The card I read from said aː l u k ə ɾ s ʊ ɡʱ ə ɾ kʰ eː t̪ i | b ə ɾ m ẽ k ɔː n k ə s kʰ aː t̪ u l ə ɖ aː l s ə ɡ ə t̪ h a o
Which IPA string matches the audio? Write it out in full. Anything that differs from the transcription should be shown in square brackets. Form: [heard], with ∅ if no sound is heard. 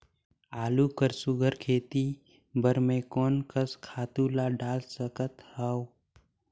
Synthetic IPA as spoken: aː l u k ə ɾ s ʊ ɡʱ ə ɾ kʰ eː t̪ i | b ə ɾ m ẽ k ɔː n k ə s kʰ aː t̪ u l [a] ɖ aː l s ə [k] ə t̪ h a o